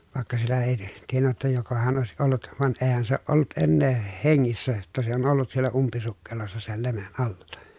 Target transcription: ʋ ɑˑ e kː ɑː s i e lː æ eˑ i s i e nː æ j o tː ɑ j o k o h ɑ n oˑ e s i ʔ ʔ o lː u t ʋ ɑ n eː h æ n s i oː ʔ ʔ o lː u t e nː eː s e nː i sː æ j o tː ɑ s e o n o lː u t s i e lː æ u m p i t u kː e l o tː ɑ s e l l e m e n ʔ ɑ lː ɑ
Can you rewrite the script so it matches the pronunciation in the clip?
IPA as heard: ʋ ɑˑ e kː ɑ s i e lː æ eˑ i t i e nː æ j o tː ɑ j o k o h ɑ n oˑ e s i ʔ ʔ o lː u t ʋ ɑ n eː h æ n s e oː ʔ ʔ o lː u t e nː eː h e ŋː i sː æ j o tː ɑ s e o n o lː u t s i e lː æ u m p i s u kː e l o sː ɑ s e l l e m e n ʔ ɑ lː ɑ